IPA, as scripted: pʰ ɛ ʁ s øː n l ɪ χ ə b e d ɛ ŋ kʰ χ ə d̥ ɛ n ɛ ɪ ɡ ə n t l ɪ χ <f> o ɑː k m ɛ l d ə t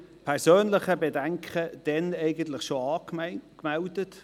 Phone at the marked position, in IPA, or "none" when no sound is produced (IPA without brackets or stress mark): ʃ